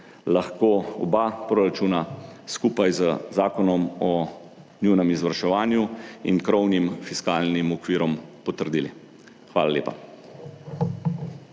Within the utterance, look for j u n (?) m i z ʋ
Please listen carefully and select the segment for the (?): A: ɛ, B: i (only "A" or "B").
A